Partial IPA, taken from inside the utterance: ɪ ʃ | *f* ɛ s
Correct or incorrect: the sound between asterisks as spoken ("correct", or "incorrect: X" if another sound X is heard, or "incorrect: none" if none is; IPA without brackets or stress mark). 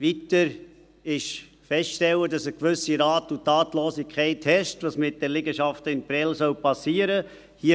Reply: correct